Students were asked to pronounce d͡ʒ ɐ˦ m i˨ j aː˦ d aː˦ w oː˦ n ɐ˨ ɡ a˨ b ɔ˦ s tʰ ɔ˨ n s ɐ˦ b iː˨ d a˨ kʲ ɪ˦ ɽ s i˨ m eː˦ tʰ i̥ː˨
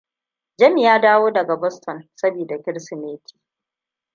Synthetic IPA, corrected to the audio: d͡ʒ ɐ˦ m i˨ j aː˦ d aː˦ w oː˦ d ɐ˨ ɡ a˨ b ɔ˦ s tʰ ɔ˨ n s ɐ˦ b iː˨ d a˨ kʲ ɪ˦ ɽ s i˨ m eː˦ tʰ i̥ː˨